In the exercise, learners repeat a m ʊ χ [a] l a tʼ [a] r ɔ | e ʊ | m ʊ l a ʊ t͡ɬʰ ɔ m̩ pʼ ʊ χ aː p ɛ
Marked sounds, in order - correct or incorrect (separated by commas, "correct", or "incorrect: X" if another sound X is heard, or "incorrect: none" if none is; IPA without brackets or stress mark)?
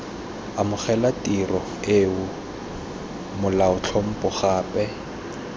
incorrect: ɛ, incorrect: i